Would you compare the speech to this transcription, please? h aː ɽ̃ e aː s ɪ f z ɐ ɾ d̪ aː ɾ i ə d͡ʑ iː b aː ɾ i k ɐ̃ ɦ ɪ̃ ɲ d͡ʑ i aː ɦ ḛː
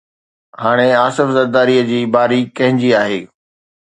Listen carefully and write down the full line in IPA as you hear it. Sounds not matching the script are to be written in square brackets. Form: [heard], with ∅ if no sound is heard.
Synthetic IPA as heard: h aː ɽ̃ e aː s ɪ f z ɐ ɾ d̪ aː ɾ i ə d͡ʑ iː b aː ɾ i k ɐ̃ ɦ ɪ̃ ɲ d͡ʑ i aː ɦ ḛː

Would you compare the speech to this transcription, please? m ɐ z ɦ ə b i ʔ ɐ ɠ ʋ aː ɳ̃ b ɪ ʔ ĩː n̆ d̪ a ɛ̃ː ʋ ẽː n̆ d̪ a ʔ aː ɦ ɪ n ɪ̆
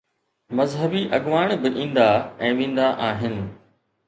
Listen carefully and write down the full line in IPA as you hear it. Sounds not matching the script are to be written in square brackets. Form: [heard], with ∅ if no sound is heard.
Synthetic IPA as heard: m ɐ z ɦ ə b i ʔ ɐ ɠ ʋ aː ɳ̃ b ɪ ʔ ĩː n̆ d̪ a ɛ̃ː ʋ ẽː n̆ d̪ a ʔ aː ɦ ɪ n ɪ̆

